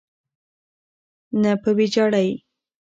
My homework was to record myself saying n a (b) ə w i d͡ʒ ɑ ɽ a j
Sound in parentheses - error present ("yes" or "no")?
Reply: yes